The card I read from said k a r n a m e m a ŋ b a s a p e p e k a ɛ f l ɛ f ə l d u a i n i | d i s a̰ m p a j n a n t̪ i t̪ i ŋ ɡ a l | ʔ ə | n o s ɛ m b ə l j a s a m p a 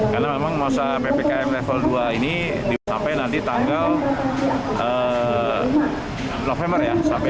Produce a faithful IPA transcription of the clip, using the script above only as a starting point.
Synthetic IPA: k a r n a m e m a ŋ m a s a p e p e k a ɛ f l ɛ f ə l d u a i n i | d i s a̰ m p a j n a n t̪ i t̪ a ŋ ɡ a l | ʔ ə | n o f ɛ m b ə r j a s a m p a